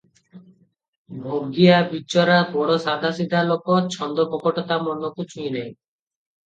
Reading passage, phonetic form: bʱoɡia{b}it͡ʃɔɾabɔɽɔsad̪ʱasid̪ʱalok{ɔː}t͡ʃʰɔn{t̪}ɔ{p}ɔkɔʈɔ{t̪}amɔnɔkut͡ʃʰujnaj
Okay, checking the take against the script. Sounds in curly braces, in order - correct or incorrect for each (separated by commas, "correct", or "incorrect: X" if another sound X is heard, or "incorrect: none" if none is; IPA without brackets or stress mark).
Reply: correct, incorrect: ɔ, incorrect: d̪, correct, correct